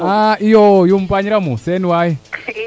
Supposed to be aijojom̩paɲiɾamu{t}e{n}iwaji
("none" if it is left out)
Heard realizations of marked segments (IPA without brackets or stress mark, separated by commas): s, n